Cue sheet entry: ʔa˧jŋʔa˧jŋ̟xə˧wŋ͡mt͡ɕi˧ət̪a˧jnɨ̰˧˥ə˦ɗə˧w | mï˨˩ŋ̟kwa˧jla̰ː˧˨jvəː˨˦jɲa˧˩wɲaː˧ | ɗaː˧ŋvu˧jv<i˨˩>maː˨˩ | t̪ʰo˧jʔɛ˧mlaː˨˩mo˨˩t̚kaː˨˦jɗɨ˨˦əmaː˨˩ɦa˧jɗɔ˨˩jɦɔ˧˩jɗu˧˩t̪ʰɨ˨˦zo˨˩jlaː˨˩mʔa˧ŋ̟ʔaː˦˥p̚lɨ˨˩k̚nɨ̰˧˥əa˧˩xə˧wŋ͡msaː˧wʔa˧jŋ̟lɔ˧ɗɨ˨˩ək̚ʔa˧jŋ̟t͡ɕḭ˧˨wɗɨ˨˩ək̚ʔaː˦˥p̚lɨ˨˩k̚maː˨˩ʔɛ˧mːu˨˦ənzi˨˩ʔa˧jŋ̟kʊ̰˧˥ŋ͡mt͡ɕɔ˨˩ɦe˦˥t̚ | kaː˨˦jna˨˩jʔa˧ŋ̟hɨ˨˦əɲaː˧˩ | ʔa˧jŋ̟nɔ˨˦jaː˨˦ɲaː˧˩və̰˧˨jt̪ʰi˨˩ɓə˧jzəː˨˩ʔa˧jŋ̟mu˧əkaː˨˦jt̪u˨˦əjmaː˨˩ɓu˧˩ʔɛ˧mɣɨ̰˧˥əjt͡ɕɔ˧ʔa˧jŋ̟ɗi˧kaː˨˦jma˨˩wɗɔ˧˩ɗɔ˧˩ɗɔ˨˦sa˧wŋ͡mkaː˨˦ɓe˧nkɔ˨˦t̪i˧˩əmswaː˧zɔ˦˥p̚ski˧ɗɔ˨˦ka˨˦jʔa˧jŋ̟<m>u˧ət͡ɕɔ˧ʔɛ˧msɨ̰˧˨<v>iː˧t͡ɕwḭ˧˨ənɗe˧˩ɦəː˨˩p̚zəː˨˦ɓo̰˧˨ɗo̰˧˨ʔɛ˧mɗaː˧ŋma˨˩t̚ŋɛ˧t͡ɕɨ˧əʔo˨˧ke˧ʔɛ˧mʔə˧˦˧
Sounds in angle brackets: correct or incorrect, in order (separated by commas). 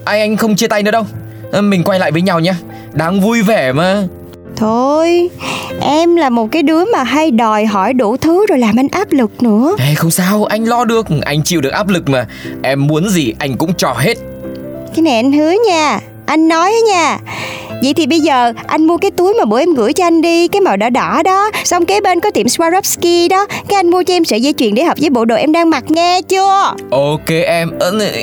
incorrect, correct, incorrect